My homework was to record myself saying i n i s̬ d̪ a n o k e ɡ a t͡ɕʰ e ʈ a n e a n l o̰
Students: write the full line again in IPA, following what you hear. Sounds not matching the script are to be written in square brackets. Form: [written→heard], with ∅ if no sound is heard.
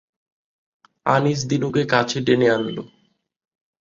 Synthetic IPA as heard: [i→a] n i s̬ d̪ [a→i] n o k e [ɡ→k] a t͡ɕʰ e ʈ [a→e] n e a n l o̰